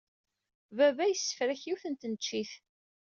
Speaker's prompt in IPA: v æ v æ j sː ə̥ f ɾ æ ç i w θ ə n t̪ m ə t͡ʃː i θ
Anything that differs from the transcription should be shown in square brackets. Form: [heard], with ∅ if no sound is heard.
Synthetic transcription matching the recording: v æ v æ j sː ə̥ f ɾ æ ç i w θ ə n t̪ [n] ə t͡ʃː i θ